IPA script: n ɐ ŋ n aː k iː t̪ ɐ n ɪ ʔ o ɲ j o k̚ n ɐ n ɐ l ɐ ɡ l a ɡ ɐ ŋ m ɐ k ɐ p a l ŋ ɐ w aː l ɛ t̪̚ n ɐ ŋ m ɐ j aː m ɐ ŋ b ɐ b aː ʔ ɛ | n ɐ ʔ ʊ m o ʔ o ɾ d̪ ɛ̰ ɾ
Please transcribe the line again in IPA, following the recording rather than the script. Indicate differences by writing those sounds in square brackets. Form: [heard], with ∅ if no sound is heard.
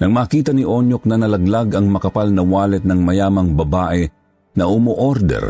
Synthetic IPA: n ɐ ŋ [m] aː k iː t̪ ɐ n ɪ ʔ o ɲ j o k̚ n ɐ n ɐ l ɐ ɡ l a ɡ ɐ ŋ m ɐ k ɐ p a l [n] ɐ w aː l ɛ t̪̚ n ɐ ŋ m ɐ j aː m ɐ ŋ b ɐ b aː ʔ ɛ | n ɐ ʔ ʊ m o ʔ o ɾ d̪ ɛ̰ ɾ